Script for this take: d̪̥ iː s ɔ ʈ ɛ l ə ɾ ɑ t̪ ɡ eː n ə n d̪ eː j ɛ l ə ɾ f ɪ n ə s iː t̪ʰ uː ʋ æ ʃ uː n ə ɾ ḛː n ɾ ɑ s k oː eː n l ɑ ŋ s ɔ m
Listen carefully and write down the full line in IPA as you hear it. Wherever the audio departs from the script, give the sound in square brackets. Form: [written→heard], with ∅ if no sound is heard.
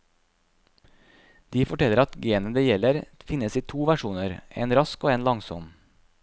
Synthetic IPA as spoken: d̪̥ iː [s→f] ɔ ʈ ɛ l ə ɾ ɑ t̪ ɡ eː n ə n d̪ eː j ɛ l ə ɾ f ɪ n ə s iː t̪ʰ uː ʋ æ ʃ uː n ə ɾ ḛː n ɾ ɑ s k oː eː n l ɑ ŋ s ɔ m